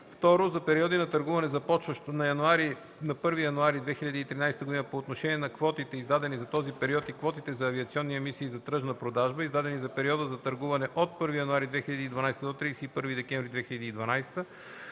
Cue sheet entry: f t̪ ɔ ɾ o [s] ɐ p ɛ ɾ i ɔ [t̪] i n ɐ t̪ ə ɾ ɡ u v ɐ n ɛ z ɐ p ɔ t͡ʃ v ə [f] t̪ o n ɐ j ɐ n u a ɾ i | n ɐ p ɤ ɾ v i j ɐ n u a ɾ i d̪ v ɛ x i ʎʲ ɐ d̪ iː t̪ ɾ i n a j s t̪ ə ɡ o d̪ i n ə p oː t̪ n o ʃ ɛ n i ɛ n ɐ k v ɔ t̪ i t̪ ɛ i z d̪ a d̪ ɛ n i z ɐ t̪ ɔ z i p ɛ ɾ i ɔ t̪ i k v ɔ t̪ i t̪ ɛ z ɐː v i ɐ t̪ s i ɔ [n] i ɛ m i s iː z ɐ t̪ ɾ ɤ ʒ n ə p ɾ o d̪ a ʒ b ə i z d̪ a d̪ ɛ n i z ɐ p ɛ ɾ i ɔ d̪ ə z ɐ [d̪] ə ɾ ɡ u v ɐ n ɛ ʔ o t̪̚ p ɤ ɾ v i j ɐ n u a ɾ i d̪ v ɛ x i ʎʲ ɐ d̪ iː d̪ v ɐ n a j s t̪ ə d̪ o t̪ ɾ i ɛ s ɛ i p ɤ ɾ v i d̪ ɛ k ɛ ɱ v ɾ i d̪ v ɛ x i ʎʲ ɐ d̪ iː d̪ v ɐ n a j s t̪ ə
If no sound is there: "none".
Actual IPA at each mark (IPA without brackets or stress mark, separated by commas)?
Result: z, d̪, ʃ, nː, t̪